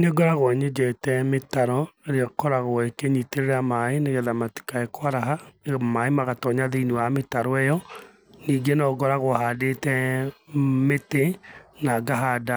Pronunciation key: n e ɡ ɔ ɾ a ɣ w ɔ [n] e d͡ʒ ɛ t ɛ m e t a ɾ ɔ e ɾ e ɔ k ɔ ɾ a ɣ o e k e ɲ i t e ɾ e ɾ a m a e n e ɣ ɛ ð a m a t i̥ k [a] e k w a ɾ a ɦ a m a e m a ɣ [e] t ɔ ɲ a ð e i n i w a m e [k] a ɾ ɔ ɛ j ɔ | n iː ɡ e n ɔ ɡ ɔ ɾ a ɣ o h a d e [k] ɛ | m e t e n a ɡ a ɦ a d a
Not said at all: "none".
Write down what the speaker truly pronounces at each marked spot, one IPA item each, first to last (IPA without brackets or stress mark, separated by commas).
ɲ, a, a, t, t